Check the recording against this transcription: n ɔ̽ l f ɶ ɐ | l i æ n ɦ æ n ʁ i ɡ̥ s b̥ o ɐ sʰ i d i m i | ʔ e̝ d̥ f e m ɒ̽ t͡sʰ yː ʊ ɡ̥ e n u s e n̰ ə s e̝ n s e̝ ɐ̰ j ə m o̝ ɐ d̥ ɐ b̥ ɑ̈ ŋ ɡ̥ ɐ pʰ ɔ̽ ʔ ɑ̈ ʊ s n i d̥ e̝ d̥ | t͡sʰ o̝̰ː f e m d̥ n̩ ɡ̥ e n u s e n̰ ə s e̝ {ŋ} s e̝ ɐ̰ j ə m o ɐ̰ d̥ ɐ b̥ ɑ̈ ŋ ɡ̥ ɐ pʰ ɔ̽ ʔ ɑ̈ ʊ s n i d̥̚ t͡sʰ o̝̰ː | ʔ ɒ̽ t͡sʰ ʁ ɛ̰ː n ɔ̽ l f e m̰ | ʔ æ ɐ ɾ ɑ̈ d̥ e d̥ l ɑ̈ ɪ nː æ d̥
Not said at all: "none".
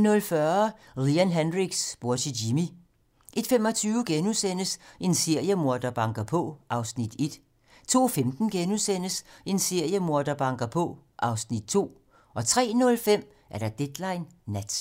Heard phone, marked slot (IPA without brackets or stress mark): n